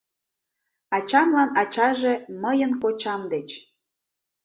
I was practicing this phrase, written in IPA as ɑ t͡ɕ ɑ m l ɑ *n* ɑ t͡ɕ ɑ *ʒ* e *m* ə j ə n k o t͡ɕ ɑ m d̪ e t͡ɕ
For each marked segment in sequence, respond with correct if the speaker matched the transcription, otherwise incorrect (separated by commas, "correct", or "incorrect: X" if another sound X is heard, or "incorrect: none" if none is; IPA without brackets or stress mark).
correct, correct, correct